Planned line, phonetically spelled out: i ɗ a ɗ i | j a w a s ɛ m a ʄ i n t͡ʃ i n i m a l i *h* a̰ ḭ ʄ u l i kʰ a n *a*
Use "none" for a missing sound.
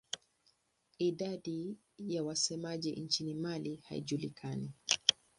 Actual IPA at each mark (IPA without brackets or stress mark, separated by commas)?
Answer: h, i